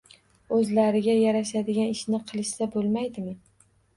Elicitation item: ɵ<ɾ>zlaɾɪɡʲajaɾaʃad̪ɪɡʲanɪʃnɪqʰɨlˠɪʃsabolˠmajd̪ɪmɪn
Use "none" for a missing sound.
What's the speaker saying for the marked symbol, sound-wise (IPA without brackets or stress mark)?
none